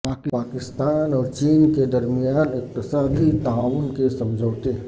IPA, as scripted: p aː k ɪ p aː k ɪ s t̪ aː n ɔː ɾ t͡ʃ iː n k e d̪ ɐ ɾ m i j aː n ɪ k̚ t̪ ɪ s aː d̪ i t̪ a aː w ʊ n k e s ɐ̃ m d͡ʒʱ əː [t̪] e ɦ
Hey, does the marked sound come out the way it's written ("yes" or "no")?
yes